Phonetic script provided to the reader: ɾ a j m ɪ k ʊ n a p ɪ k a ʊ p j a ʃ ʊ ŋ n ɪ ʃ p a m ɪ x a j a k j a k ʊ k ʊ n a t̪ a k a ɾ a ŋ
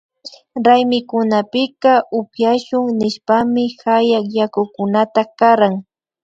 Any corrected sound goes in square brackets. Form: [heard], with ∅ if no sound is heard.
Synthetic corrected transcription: ɾ a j m ɪ k ʊ n a p ɪ k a ʊ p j a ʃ ʊ ŋ n ɪ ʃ p a m ɪ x a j a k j a k ʊ k ʊ n a t̪ a k a ɾ a ŋ

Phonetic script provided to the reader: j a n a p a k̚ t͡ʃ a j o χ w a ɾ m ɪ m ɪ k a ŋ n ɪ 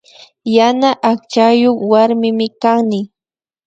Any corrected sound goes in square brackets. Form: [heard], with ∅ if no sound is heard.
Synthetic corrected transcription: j a n a [ʔ] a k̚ t͡ʃ a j o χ w a ɾ m ɪ m ɪ k a ŋ n ɪ

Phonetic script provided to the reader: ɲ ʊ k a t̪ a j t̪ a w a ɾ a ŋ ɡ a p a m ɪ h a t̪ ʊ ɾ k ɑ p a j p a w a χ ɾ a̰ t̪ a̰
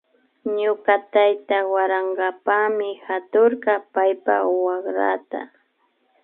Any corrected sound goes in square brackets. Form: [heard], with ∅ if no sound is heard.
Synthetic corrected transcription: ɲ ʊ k a t̪ a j t̪ a w a ɾ a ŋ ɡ a p a m ɪ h a t̪ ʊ ɾ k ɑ p a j p a w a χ ɾ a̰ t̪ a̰

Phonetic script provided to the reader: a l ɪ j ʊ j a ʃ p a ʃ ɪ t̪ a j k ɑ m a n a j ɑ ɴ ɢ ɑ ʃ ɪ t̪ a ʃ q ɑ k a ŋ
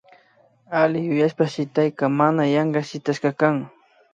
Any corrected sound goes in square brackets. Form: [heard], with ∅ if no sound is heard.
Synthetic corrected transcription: a l ɪ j ʊ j a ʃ p a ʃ ɪ t̪ a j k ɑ m a n a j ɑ ɴ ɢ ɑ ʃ ɪ t̪ a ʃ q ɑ k a ŋ

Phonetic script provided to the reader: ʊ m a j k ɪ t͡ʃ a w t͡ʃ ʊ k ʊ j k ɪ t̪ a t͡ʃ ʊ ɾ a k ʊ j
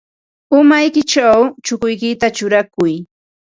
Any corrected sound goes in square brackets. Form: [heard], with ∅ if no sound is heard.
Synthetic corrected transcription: ʊ m a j k ɪ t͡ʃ a w t͡ʃ ʊ k ʊ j k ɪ t̪ a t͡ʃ ʊ ɾ a k ʊ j

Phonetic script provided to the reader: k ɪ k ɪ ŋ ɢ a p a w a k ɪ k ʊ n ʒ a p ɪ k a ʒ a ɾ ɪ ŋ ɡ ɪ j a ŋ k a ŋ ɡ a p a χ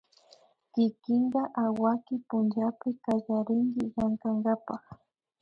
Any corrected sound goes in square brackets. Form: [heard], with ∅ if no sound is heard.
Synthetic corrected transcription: k ɪ k ɪ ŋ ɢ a [ʔ] a w a k ɪ [p] ʊ n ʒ a p ɪ k a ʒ a ɾ ɪ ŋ ɡ ɪ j a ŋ k a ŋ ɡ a p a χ

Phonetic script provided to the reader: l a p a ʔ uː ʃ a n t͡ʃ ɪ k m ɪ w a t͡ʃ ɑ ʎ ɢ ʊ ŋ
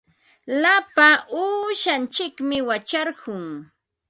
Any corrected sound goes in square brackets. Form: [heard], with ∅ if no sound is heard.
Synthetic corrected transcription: l a p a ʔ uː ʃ a n t͡ʃ ɪ k m ɪ w a t͡ʃ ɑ [ɾ] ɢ ʊ ŋ

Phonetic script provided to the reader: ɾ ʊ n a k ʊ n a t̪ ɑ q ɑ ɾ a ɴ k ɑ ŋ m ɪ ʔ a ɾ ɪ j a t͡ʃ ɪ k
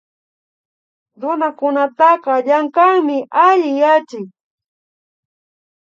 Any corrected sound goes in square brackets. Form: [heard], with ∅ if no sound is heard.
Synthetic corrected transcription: ɾ ʊ n a k ʊ n a t̪ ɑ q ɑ [ʎ] a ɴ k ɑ ŋ m ɪ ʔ a [ʎ] ɪ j a t͡ʃ ɪ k

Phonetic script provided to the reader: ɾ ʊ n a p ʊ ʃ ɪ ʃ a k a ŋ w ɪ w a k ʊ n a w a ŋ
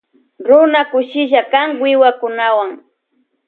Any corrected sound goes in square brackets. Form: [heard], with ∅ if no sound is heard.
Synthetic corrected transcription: ɾ ʊ n a [k] ʊ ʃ ɪ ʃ a k a ŋ w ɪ w a k ʊ n a w a ŋ

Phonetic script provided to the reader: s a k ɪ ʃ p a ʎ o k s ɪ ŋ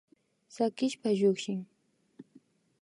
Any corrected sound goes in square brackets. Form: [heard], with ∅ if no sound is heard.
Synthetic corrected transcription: s a k ɪ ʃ p a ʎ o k [ʃ] ɪ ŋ

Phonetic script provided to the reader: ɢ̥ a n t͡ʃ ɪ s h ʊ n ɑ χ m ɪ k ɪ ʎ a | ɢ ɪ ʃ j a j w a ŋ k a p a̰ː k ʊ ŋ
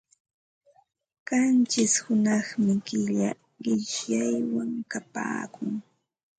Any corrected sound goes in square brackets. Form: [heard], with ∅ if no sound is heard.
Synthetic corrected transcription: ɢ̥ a n t͡ʃ ɪ s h ʊ n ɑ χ m ɪ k ɪ ʎ a | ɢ ɪ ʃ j a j w a ŋ k a p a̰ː k ʊ ŋ

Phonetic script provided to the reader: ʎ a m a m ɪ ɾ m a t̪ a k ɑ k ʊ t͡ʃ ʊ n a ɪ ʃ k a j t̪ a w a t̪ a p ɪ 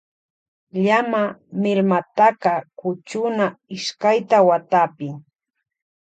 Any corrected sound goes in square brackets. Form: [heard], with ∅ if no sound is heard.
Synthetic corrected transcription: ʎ a m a m ɪ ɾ m a t̪ a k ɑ k ʊ t͡ʃ ʊ n a ɪ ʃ k a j t̪ a w a t̪ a p ɪ

